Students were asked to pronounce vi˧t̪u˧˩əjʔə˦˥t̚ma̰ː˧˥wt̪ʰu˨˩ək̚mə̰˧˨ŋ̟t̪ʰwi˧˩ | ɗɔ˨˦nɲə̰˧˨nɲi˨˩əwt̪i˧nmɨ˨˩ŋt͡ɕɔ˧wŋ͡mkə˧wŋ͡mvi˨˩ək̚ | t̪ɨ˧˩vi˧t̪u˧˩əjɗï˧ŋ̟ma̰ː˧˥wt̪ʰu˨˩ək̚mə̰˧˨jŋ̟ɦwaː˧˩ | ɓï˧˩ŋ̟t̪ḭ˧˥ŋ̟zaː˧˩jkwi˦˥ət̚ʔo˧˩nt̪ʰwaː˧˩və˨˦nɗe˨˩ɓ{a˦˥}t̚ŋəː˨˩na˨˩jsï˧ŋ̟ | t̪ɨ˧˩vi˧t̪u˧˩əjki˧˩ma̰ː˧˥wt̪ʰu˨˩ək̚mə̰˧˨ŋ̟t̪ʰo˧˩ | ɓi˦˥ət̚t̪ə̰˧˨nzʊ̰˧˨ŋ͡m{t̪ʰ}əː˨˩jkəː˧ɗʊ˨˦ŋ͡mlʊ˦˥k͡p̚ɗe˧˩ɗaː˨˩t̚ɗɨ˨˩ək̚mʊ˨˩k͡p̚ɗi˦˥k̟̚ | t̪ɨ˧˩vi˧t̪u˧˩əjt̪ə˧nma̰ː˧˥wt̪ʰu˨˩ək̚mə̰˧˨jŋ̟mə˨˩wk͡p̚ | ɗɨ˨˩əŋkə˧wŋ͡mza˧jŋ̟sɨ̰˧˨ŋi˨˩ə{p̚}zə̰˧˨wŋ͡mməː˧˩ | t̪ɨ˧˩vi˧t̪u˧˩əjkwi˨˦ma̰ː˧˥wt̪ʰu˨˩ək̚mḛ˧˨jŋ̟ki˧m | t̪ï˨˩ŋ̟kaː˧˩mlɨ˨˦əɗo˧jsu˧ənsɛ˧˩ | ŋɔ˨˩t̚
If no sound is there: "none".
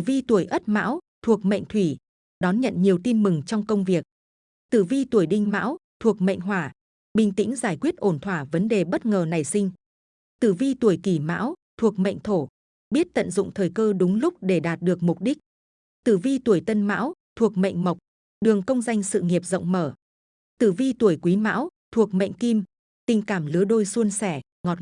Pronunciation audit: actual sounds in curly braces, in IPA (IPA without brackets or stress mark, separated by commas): ə˦˥, t̪ʰ, p̚